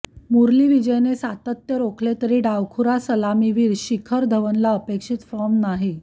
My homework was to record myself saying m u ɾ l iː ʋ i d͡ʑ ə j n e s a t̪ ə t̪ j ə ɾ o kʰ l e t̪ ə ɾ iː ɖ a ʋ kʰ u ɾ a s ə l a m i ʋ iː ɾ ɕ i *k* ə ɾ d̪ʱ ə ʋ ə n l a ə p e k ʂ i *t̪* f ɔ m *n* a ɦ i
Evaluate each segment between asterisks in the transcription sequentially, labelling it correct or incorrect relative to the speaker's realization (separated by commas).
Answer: incorrect, correct, correct